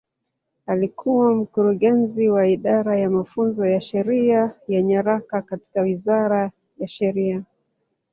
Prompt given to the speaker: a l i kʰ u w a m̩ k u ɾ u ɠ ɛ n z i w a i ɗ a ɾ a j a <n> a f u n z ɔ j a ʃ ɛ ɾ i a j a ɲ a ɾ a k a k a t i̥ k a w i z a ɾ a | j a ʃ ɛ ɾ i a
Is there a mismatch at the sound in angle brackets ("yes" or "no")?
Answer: yes